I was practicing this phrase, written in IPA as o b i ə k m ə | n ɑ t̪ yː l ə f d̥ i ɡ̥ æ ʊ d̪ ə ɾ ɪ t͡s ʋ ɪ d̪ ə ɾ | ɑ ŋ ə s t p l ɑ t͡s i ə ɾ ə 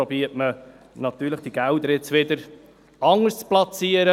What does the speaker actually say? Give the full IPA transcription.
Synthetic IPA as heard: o b i ə t m ə | n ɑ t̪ yː l ə χ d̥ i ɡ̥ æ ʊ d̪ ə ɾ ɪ t͡s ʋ ɪ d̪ ə ɾ | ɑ ŋ ə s t͡s p l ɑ t͡s i ə ɾ ə